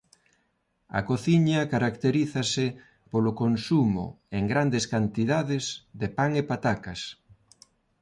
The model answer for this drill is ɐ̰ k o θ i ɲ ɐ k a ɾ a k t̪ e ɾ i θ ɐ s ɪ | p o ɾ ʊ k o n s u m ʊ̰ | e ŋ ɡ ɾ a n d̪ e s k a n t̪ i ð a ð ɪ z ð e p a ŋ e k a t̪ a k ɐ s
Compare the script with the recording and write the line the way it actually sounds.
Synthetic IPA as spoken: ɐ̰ k o θ i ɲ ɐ k a ɾ a k t̪ e ɾ i θ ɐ s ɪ | p o l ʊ k o n s u m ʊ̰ | e ŋ ɡ ɾ a n d̪ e s k a n t̪ i ð a ð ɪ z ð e p a ŋ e p a t̪ a k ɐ s